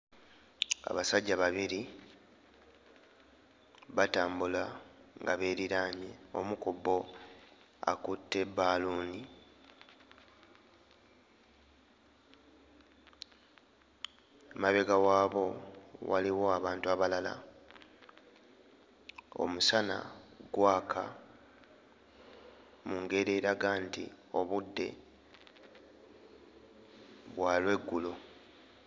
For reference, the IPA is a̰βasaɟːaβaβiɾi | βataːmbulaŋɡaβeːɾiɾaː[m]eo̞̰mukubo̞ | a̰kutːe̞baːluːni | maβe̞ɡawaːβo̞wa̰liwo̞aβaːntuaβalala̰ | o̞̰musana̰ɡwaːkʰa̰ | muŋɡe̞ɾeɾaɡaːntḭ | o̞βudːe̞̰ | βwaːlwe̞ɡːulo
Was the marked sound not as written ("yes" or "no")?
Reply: yes